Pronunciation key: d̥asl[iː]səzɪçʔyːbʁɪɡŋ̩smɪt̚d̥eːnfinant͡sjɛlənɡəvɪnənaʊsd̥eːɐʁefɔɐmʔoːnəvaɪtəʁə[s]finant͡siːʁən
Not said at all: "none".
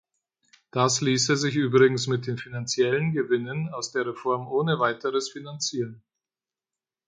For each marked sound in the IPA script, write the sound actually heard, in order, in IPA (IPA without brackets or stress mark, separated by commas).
iː, s